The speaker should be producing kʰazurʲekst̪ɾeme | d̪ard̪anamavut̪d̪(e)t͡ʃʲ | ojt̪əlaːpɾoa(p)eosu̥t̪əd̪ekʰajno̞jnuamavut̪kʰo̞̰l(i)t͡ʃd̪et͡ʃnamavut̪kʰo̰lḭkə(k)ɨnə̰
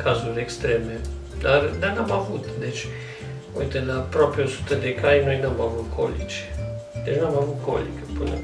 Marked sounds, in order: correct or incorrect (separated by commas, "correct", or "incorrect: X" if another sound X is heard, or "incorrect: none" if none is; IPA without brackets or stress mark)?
correct, correct, correct, incorrect: p